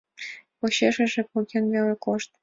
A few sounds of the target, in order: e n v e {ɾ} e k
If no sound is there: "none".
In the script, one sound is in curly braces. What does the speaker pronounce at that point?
l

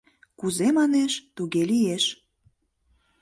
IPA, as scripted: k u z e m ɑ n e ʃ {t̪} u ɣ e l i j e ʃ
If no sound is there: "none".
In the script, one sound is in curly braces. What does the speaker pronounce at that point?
t̪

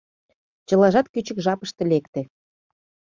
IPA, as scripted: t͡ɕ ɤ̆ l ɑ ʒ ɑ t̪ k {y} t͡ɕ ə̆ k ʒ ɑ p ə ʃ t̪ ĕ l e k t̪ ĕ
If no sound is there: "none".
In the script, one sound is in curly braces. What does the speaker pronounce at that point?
y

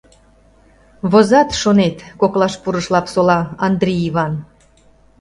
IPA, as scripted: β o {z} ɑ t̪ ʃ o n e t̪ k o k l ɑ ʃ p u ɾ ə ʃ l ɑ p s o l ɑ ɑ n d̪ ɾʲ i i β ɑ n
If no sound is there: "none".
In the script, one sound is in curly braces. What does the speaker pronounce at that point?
z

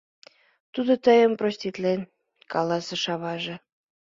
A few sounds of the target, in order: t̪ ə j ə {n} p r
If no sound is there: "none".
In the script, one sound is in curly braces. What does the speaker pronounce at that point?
m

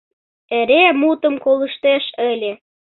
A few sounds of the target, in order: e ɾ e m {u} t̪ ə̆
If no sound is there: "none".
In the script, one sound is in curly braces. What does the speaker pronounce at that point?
u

